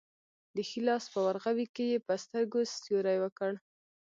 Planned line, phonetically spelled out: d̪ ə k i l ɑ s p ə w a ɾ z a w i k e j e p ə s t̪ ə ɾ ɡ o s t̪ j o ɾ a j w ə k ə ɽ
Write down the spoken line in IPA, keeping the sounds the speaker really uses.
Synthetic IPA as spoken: d̪ ə x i l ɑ s p ə w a ɾ ɣ a w i k e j e p ə s t̪ ə ɾ ɡ o s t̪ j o ɾ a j w ə k ə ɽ